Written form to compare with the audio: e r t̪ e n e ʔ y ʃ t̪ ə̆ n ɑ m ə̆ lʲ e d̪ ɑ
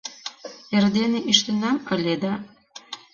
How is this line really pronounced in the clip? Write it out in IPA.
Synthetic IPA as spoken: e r d̪ e n e ʔ i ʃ t̪ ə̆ n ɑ m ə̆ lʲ e d̪ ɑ